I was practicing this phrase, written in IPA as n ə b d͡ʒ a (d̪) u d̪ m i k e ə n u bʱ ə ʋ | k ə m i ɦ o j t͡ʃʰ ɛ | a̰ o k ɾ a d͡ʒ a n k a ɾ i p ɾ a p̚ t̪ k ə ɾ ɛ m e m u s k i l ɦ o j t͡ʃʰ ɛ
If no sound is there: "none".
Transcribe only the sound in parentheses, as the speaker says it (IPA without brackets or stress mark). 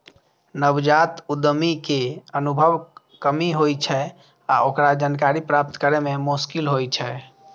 t̪